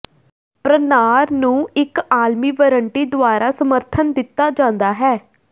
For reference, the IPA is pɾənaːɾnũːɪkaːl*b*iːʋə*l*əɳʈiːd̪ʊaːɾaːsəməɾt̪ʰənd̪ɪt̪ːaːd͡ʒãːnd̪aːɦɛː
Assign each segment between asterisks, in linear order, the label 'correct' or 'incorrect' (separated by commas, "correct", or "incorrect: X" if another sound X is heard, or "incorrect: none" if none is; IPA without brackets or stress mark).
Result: incorrect: m, incorrect: ɾ